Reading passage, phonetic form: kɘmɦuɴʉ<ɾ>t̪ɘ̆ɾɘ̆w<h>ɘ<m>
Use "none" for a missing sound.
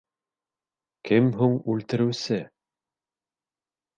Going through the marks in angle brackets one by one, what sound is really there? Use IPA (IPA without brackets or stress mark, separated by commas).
l, s, none